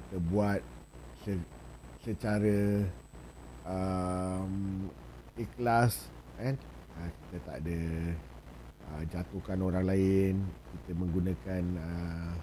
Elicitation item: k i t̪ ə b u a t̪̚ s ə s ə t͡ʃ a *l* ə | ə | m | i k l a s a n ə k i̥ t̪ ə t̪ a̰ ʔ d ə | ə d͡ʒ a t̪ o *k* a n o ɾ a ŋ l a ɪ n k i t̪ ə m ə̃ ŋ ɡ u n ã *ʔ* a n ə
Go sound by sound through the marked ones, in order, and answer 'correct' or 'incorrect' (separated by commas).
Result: incorrect, correct, incorrect